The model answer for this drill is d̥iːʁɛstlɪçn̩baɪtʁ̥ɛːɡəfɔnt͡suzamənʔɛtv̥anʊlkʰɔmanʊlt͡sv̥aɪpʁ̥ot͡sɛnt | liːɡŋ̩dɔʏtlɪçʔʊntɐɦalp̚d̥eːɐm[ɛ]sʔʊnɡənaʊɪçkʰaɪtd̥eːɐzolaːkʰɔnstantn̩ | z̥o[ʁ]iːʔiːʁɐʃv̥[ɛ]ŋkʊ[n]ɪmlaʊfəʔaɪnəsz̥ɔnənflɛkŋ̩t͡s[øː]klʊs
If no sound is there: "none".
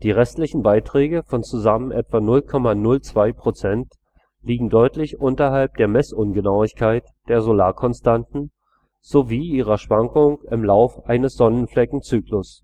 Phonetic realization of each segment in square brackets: ɛ, v, a, ŋ, yː

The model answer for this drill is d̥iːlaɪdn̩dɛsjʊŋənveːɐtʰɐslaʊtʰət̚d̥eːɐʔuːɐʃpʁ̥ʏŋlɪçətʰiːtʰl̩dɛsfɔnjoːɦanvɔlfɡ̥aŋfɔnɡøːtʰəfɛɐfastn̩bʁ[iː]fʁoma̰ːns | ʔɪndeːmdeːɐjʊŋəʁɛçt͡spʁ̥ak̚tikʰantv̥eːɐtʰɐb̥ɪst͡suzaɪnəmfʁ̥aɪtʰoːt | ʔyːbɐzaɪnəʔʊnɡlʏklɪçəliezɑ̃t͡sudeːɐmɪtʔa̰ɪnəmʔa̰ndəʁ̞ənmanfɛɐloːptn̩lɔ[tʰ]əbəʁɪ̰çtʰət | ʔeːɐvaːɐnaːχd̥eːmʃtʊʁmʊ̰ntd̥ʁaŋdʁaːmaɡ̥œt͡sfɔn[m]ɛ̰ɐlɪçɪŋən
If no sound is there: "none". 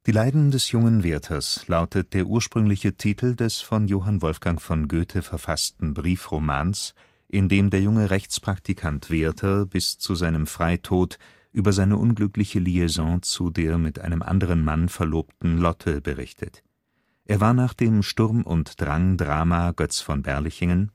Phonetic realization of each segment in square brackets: iː, tʰ, b

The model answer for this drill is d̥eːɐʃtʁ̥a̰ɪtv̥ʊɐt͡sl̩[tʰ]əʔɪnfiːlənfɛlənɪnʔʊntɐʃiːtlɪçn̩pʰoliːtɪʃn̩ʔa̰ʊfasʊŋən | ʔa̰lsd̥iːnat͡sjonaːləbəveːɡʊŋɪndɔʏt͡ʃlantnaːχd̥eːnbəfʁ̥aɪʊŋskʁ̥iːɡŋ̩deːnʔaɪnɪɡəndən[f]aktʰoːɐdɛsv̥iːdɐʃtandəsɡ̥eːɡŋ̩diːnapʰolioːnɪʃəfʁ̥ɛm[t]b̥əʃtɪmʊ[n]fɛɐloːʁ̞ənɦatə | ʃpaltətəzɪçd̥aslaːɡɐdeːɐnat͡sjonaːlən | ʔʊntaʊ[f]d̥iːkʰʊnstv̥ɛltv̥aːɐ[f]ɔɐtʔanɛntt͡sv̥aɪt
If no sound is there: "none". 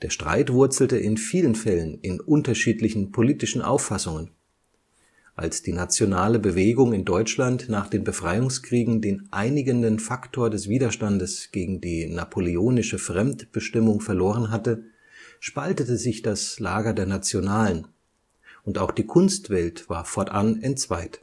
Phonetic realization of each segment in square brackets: t, f, t, ŋ, x, f

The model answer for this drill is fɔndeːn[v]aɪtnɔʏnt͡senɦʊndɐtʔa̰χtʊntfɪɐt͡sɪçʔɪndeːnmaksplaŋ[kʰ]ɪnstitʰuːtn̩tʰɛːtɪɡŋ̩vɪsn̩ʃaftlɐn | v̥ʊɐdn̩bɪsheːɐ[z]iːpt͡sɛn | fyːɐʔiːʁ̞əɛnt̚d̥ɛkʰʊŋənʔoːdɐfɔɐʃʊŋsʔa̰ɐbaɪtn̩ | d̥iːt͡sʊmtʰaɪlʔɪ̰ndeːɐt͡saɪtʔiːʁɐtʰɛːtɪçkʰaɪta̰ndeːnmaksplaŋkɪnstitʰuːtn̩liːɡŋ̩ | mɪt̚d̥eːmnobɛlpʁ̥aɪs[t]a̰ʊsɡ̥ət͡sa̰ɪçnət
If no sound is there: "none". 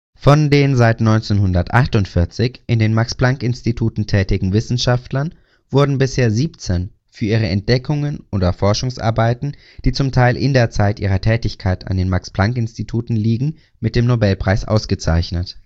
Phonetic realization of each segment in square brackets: z, k, z, ʔ

